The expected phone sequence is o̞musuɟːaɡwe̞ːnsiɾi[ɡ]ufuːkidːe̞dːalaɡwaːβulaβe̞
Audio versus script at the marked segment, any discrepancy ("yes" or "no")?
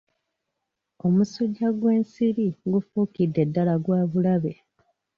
no